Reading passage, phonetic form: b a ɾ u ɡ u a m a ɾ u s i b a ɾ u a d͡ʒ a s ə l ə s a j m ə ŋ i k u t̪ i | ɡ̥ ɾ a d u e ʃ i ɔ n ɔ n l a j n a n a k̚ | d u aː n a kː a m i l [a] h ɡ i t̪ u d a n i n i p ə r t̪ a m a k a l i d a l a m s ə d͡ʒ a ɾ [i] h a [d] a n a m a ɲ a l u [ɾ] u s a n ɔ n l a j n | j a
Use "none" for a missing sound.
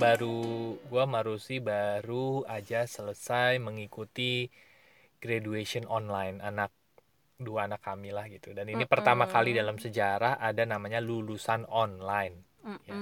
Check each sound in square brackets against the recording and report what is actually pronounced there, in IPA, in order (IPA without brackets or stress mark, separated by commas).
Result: a, a, d, l